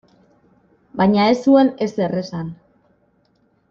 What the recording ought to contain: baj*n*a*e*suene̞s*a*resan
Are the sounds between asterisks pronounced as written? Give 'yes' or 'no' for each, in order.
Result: no, yes, no

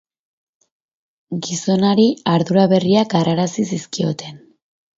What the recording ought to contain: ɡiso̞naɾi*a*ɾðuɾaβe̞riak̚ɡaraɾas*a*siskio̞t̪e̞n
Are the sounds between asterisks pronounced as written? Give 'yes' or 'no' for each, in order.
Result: yes, no

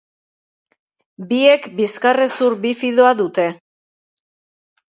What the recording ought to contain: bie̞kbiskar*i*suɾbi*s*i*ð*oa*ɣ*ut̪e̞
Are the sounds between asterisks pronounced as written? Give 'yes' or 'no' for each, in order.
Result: no, no, yes, no

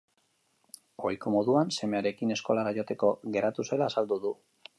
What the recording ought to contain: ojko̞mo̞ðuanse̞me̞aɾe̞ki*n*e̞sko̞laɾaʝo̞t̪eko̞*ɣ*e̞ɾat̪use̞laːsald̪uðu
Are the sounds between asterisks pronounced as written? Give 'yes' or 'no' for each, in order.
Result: yes, yes

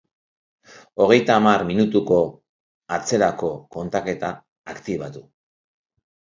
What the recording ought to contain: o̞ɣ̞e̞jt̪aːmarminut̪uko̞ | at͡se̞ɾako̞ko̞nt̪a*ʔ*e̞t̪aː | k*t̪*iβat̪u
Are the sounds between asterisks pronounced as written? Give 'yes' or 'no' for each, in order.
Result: no, yes

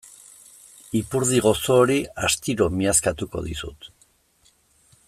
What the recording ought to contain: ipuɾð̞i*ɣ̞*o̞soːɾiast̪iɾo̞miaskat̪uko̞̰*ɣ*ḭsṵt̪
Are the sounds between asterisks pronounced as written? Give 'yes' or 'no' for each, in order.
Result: yes, no

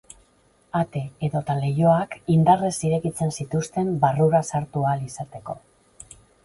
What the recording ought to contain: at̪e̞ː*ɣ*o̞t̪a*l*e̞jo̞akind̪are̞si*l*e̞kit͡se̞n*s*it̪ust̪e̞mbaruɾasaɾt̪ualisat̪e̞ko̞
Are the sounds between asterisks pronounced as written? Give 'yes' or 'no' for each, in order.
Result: no, yes, no, yes

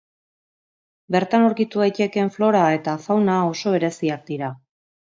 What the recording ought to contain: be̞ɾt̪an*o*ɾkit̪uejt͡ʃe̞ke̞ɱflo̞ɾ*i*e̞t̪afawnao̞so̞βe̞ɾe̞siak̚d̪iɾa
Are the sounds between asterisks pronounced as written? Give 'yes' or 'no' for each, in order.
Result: yes, no

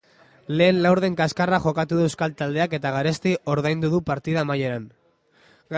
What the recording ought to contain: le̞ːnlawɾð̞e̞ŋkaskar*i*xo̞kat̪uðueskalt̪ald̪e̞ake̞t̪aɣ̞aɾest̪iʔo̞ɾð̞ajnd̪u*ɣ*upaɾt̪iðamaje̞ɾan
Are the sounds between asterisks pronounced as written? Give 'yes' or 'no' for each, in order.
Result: no, no

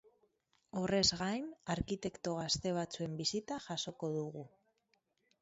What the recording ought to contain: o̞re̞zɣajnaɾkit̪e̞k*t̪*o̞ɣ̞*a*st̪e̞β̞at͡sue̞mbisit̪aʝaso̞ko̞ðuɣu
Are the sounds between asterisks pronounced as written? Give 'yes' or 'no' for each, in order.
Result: yes, yes

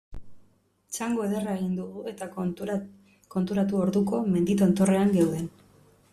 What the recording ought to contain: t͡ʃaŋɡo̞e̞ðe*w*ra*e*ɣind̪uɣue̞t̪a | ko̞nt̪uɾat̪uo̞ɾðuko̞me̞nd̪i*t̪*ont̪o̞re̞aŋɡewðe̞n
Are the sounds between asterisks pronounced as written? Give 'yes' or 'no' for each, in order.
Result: no, yes, yes

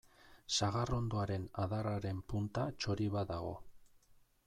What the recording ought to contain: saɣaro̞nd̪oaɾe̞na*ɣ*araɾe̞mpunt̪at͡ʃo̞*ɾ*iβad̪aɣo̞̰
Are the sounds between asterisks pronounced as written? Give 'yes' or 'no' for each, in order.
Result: no, yes

